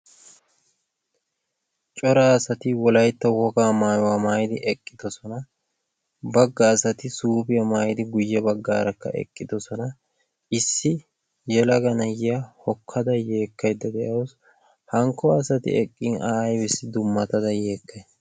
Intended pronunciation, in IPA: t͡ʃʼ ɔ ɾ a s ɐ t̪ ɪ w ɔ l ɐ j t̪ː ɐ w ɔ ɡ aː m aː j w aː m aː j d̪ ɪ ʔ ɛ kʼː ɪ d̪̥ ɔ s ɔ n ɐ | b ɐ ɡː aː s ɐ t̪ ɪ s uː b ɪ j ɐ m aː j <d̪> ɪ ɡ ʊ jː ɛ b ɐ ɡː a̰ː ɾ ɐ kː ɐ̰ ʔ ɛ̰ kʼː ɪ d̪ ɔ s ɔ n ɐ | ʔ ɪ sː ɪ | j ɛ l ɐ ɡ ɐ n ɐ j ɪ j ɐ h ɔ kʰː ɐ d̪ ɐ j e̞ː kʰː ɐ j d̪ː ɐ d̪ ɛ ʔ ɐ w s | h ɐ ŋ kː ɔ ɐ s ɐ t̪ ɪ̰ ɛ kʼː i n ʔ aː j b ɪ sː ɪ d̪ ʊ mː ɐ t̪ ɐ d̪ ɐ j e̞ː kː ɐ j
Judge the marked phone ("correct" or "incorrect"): correct